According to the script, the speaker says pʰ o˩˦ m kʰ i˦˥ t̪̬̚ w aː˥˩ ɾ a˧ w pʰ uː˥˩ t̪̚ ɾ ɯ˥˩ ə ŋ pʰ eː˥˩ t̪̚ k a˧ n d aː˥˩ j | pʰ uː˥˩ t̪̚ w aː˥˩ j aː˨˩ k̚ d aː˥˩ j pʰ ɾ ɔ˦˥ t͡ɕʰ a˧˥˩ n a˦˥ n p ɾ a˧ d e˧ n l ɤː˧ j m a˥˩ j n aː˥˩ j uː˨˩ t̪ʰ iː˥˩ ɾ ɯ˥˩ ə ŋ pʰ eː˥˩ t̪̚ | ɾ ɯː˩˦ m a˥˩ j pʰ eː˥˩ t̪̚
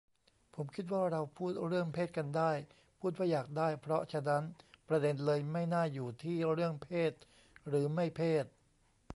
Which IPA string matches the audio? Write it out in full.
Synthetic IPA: pʰ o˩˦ m kʰ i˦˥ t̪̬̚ w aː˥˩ ɾ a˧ w pʰ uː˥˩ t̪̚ ɾ ɯ˥˩ ə ŋ pʰ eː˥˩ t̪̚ k a˧ n d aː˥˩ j | pʰ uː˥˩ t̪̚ w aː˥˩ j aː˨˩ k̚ d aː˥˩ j pʰ ɾ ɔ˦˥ t͡ɕʰ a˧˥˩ n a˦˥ n p ɾ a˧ d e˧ n l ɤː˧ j m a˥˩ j n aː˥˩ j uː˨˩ t̪ʰ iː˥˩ ɾ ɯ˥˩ ə ŋ pʰ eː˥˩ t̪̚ | ɾ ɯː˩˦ m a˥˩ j pʰ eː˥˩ t̪̚

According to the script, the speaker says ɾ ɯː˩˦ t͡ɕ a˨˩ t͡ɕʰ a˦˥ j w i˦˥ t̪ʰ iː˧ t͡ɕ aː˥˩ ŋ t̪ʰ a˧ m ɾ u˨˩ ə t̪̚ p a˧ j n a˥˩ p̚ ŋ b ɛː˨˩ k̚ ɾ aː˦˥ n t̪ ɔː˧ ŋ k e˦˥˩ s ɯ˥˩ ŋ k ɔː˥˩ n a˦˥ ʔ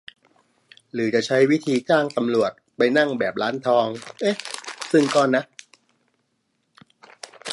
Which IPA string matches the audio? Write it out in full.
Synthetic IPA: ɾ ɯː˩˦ t͡ɕ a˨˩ t͡ɕʰ a˦˥ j w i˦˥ t̪ʰ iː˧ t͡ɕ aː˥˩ ŋ t̪ a˧ m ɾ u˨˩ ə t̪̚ p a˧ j n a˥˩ ŋ b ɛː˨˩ p̚ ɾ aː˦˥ n t̪ʰ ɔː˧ ŋ ʔ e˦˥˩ s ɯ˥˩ ŋ k ɔː˥˩ n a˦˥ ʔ

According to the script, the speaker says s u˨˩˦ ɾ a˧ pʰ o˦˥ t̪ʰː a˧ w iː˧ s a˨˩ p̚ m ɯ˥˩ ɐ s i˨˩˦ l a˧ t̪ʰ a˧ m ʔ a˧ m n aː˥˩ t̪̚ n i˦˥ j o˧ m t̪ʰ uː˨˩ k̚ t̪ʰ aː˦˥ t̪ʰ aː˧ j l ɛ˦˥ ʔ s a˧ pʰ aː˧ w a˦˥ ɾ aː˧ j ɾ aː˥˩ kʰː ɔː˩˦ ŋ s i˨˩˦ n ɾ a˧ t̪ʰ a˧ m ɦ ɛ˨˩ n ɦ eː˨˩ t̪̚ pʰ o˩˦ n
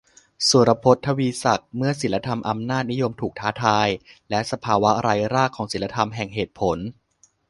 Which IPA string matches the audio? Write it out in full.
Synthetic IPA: s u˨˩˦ ɾ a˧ pʰ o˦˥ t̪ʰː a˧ w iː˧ s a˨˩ k̚ m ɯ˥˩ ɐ s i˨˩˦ l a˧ t̪ʰ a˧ m ʔ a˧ m n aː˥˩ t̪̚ n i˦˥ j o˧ m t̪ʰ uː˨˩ k̚ t̪ʰ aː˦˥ t̪ʰ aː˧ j l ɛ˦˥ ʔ s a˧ pʰ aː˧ w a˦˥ ɾ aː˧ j ɾ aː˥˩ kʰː ɔː˩˦ ŋ s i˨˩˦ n l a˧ t̪ʰ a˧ m ɦ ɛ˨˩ ŋ ɦ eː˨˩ t̪̚ pʰ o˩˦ n

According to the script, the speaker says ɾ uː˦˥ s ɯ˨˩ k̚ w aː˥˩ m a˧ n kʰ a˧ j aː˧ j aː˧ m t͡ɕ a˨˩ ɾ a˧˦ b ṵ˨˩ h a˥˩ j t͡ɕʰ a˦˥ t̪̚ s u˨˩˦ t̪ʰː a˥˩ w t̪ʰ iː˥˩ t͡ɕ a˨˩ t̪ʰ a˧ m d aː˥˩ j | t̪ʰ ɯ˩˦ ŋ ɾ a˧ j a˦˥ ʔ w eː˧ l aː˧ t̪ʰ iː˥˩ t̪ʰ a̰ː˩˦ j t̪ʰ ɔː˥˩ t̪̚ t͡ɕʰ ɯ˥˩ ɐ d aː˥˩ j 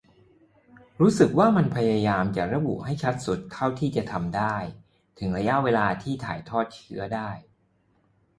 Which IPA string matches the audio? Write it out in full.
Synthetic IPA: ɾ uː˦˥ s ɯ˨˩ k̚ w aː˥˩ m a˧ n pʰ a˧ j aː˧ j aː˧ m t͡ɕ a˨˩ ɾ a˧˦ b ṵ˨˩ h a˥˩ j t͡ɕʰ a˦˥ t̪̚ s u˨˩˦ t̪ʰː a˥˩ w t̪ʰ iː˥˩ t͡ɕ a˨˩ t̪ʰ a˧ m d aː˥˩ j | t̪ʰ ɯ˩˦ ŋ ɾ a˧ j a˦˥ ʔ w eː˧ l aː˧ t̪ʰ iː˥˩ t̪ʰ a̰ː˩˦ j t̪ʰ ɔː˥˩ t̪̚ t͡ɕʰ ɯ˦˥ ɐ d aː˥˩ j

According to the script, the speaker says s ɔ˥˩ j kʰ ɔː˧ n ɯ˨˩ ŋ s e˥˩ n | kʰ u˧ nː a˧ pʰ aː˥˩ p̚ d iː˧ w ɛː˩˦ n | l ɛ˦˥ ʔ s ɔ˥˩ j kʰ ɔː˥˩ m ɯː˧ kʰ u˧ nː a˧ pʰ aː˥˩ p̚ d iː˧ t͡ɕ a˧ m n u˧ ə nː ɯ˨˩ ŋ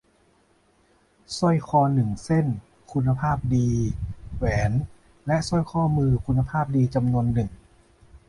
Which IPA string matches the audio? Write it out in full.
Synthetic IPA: s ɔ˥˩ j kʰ ɔː˧ n ɯ˨˩ ŋ s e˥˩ n | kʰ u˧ nː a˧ pʰ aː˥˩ p̚ d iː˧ w ɛː˩˦ n | l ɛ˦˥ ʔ s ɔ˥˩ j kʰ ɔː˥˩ m ɯː˧ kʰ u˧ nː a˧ pʰ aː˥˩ p̚ d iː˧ t͡ɕ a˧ m n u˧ ə nː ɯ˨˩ ŋ

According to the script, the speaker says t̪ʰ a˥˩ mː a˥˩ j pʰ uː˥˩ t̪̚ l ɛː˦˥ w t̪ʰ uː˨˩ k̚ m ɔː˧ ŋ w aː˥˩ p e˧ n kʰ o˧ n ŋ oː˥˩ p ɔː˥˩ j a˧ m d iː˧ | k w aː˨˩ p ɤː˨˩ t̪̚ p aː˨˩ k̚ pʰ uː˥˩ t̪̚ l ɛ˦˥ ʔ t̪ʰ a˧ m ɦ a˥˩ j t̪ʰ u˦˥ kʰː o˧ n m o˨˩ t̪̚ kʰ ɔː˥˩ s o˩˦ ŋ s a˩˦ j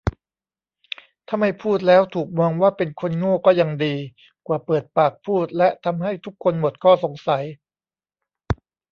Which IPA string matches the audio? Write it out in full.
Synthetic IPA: t̪ʰ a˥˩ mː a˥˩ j pʰ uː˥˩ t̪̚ l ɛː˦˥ w t̪ʰ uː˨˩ k̚ m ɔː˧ ŋ w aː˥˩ p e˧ n kʰ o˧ n ŋ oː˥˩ k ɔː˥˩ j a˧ ŋ d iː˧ | k w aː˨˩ p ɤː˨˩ t̪̚ p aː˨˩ k̚ pʰ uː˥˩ t̪̚ l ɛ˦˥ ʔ t̪ʰ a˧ m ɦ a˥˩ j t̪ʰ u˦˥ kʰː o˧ n m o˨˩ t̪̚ kʰ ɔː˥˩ s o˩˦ ŋ s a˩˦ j

